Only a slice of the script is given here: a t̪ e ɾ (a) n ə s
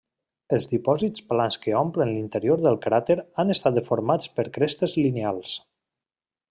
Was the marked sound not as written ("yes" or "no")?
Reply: no